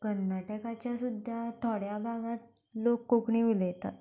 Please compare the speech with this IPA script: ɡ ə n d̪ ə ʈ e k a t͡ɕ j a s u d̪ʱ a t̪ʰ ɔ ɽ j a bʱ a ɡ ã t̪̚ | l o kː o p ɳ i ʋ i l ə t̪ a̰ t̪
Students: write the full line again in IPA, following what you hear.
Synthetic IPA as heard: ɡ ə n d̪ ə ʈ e k a t͡ɕ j a s u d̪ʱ a t̪ʰ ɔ ɽ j a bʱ a ɡ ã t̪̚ | l o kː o k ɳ i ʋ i l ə t̪ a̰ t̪